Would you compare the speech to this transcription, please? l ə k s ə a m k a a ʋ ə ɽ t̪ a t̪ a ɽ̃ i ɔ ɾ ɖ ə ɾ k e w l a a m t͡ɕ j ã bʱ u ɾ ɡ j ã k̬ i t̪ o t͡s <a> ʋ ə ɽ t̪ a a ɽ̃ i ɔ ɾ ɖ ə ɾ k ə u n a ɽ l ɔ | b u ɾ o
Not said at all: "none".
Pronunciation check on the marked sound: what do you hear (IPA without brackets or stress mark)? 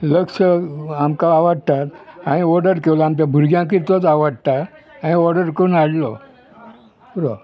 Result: a